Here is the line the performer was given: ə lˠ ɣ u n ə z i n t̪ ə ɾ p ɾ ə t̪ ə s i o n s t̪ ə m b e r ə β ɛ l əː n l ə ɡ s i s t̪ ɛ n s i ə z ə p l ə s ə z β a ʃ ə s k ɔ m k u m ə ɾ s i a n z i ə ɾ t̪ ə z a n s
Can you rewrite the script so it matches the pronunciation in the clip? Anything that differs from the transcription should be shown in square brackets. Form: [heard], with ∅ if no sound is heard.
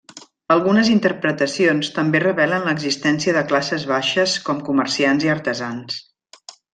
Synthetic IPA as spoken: ə lˠ ɣ u n ə z i n t̪ ə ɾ p ɾ ə t̪ ə s i o n s t̪ ə m b e r ə β ɛ l [ə] n l ə ɡ [z] i s t̪ ɛ n s i ə [ð] ə [k] l [a] s ə z β a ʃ ə s k ɔ m k u m ə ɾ s i a n z i ə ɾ t̪ ə z a n s